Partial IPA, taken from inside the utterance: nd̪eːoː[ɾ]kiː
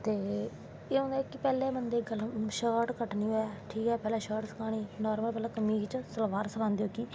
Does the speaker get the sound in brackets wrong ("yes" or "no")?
yes